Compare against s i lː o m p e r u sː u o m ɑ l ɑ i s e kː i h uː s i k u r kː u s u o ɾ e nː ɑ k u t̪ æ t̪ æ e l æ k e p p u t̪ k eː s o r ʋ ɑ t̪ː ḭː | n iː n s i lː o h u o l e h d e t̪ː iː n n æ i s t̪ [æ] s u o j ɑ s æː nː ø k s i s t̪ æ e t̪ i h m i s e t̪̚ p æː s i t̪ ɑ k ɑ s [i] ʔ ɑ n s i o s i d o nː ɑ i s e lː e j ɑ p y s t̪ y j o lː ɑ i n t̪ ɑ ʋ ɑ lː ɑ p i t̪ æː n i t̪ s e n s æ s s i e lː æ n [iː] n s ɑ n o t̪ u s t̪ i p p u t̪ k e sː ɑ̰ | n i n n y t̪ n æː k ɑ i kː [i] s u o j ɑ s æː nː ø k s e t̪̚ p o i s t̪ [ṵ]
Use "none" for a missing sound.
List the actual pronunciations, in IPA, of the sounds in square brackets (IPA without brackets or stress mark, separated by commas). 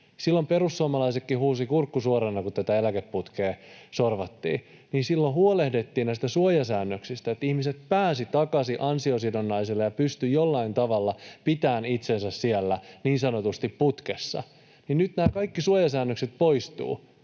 æ, i, iː, i, ṵː